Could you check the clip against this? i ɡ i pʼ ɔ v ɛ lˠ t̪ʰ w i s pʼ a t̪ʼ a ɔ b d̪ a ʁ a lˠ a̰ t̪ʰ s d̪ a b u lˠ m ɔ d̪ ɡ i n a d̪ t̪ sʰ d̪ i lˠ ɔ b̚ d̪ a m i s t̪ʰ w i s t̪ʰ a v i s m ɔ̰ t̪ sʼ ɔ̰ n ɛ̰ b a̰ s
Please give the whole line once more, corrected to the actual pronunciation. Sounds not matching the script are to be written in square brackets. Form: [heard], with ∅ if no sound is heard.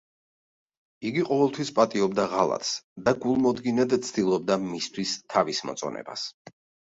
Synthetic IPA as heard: i ɡ i [qʼ] ɔ v ɛ lˠ t̪ʰ w i s pʼ a t̪ʼ [i] ɔ b d̪ a ʁ a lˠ a̰ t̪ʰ s d̪ a [ɡ] u lˠ m ɔ d̪ ɡ i n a d̪ t̪ sʰ d̪ i lˠ ɔ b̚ d̪ a m i s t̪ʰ w i s t̪ʰ a v i s m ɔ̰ t̪ sʼ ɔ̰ n ɛ̰ b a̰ s